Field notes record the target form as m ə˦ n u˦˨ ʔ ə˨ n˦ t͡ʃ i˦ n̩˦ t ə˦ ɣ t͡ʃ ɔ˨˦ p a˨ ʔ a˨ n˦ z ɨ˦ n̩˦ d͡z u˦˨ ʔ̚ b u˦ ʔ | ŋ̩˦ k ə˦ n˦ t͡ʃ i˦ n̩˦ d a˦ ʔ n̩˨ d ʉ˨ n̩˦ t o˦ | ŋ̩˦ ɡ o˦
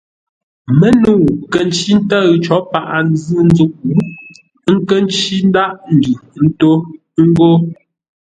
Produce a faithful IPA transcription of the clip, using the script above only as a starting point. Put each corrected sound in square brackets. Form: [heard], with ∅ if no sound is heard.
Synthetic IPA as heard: m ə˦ n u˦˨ [k] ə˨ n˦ t͡ʃ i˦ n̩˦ t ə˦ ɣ t͡ʃ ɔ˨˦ p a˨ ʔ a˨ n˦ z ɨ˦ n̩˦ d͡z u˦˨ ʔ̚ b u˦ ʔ | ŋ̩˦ k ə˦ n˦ t͡ʃ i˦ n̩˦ d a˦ ʔ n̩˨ d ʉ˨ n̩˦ t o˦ | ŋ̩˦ ɡ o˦

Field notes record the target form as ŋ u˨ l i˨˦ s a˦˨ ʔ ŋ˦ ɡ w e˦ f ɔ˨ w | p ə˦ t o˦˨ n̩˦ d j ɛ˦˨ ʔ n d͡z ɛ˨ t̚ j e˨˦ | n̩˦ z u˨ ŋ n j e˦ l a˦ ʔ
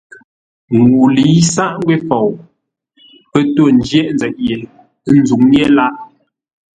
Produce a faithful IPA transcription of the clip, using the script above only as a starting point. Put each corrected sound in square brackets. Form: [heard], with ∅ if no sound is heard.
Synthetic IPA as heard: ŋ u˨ l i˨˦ s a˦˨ ʔ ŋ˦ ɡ w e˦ f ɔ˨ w | p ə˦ t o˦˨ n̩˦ [d͡ʒ] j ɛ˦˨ ʔ n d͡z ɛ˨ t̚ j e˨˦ | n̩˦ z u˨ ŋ n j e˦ l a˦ ʔ

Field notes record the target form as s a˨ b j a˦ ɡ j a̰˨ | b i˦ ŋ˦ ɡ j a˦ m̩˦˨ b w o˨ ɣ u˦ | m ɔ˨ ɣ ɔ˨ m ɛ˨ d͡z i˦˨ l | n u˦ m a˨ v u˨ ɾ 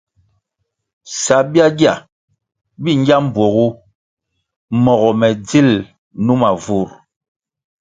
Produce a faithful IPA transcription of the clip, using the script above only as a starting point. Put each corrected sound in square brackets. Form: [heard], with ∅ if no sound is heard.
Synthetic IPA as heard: s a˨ b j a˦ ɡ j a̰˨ | b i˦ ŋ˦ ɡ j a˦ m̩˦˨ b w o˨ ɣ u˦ | m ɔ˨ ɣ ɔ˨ m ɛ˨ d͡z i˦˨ l | n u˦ m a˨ v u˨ ɾ

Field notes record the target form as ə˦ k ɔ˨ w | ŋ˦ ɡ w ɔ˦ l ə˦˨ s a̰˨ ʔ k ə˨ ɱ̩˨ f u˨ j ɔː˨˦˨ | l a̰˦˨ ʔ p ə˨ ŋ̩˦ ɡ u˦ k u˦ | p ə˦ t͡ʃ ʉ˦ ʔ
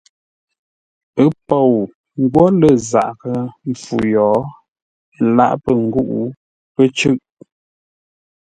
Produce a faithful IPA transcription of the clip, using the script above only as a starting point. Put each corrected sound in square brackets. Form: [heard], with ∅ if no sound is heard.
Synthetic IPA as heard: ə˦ [p] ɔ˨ w | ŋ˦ ɡ w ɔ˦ l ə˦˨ [z] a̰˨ ʔ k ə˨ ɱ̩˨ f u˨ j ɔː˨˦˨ | l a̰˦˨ ʔ p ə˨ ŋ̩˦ ɡ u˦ [ʔ] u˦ | p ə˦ t͡ʃ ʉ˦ ʔ

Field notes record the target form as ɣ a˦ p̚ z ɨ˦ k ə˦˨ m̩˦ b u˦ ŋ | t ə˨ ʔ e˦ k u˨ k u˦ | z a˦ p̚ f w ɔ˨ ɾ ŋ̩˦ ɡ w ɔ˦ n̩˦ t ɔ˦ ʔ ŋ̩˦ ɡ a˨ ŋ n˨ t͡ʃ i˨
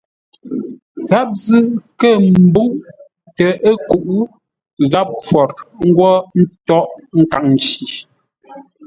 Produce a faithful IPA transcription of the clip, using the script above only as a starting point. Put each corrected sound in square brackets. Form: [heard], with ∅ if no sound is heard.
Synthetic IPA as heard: ɣ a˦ p̚ z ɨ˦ k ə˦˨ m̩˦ b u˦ ŋ | t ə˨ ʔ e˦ k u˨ [ʔ] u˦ | [ɣ] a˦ p̚ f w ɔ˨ ɾ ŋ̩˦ ɡ w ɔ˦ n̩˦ t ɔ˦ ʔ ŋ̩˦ [k] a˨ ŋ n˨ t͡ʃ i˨

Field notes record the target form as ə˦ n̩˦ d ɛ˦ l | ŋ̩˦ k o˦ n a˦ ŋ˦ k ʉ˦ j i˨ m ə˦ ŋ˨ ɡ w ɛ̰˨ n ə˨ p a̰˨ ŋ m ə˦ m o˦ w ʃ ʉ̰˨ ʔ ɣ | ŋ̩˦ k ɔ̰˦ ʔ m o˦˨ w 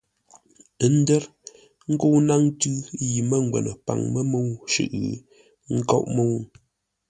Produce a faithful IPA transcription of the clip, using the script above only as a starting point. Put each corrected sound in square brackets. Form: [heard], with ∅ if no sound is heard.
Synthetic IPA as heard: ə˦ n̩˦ d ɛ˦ [ɾ] | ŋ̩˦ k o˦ n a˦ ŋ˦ [t] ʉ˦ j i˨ m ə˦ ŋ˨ ɡ w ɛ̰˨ n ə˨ p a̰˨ ŋ m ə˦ m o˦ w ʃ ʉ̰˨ ʔ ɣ | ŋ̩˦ k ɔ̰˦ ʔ m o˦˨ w

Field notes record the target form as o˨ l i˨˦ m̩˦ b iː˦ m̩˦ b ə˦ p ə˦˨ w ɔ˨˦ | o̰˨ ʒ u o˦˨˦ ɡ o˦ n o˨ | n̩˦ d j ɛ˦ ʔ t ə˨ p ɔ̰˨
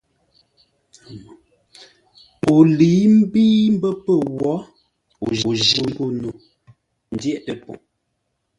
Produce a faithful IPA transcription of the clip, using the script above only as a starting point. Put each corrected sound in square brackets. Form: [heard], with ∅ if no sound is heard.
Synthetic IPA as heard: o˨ l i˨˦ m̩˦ b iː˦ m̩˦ b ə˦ p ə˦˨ w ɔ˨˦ | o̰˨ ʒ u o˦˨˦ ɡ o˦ n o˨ | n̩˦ d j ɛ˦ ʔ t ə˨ p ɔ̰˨

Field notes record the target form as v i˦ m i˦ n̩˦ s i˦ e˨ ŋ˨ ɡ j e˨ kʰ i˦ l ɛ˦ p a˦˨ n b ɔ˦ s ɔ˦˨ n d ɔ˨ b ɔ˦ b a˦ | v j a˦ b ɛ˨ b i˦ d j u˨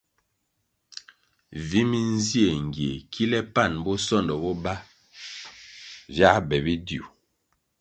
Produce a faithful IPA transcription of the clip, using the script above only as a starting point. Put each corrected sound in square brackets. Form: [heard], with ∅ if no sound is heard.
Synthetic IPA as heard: v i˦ m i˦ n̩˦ [z] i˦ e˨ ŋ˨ ɡ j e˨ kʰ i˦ l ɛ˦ p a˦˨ n b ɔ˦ s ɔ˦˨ n d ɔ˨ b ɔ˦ b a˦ | v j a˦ b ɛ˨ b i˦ d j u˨

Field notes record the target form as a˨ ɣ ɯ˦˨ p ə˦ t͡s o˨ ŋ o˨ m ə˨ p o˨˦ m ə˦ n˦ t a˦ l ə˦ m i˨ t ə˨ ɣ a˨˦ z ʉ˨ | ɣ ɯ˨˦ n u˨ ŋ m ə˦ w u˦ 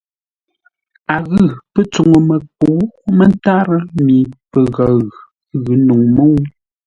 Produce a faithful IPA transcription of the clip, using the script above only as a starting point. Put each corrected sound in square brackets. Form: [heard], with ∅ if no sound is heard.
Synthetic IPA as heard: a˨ ɣ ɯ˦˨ p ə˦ t͡s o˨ ŋ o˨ m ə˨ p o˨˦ m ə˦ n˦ t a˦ [ɾ] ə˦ m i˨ [p] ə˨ ɣ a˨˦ [ɣ] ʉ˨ | ɣ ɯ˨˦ n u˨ ŋ m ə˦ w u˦

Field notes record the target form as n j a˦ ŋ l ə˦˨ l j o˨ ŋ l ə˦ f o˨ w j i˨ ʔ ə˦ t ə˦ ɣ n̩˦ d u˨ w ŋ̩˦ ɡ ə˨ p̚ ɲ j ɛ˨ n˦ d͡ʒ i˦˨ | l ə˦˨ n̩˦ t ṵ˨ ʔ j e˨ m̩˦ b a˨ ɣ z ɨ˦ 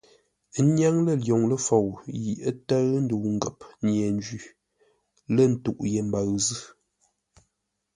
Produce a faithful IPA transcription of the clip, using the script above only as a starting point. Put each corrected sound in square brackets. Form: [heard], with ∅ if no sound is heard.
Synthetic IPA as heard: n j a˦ ŋ l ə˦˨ l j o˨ ŋ l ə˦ f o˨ w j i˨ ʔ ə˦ t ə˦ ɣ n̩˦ d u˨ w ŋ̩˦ ɡ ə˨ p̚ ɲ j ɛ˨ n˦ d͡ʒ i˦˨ | l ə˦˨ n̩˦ t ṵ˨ ʔ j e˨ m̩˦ b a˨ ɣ z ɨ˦

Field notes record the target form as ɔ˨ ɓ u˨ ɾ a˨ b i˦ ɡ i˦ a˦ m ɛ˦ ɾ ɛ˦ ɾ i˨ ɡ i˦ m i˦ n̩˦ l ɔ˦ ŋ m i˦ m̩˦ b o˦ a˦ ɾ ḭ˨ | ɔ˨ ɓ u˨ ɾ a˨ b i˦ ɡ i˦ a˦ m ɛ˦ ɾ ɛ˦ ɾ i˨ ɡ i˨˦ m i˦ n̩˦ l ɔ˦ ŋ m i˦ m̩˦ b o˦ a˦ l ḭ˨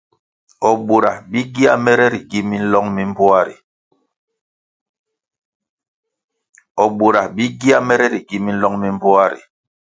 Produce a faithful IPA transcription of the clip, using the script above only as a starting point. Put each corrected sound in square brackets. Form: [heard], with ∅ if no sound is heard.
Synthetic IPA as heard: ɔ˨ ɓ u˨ ɾ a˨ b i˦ ɡ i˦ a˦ m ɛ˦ ɾ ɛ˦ ɾ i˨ ɡ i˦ m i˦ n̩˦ l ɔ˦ ŋ m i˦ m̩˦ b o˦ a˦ ɾ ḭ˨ | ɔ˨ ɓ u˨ ɾ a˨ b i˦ ɡ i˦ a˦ m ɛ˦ ɾ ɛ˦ ɾ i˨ ɡ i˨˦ m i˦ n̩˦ l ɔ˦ ŋ m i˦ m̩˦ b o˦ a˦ [ɾ] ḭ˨

